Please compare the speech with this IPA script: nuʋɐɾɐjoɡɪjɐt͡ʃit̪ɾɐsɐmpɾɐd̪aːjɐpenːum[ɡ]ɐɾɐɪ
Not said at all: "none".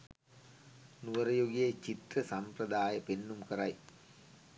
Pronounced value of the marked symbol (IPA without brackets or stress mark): k